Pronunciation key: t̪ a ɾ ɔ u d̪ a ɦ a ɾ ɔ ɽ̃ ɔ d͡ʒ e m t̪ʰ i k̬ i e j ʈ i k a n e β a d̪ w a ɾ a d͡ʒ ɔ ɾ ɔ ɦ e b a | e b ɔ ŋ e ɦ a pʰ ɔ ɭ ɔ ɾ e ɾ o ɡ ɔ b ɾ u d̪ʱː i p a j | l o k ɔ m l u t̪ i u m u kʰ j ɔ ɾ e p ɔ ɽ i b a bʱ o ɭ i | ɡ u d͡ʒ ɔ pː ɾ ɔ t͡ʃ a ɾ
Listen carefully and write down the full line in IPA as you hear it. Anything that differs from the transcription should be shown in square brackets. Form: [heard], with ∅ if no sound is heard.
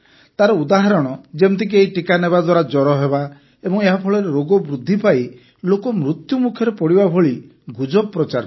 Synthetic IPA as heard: t̪ a ɾ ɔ u d̪ a ɦ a ɾ ɔ ɽ̃ ɔ d͡ʒ e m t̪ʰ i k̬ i e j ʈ i k a n e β a d̪ w a ɾ a d͡ʒ ɔ ɾ ɔ ɦ e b a | e b ɔ ŋ e ɦ a pʰ ɔ ɭ ɔ ɾ e ɾ o ɡ ɔ b ɾ u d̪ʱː i p a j | l o k ɔ m [ɾ] u t̪ [j] u m u kʰ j ɔ ɾ e p ɔ ɽ i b a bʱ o ɭ i | ɡ u d͡ʒ ɔ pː ɾ ɔ t͡ʃ a ɾ